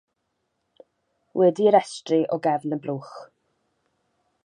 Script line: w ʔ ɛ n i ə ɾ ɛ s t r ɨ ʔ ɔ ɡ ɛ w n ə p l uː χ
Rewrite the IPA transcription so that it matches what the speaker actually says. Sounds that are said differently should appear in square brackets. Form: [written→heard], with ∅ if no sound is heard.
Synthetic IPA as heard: w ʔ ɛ [n→d] i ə ɾ ɛ s t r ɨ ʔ ɔ ɡ ɛ [w→v] n ə [p→b] l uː χ